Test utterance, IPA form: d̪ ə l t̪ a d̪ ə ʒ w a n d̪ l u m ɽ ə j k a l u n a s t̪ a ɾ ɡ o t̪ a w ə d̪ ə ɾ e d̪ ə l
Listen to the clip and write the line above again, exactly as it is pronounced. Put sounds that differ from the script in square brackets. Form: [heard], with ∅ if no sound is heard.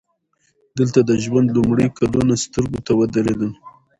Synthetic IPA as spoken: d̪ ə l t̪ a d̪ ə ʒ w a n d̪ l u m ɽ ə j k a l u n a s t̪ [ə] ɾ ɡ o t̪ a w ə d̪ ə ɾ e d̪ ə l